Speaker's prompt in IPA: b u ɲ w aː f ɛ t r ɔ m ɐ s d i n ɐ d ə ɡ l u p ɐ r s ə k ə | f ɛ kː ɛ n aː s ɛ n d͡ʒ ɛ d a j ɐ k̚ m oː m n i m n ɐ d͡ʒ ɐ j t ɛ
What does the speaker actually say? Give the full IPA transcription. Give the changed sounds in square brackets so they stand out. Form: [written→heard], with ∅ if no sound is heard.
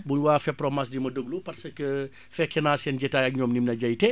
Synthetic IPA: b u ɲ w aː f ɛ [t→p] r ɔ m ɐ s d i [n→m] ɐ d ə ɡ l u p ɐ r s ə k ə | f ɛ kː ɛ n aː s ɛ n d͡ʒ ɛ [d→t] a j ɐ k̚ [m→ɲ] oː m n i m n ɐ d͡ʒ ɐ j t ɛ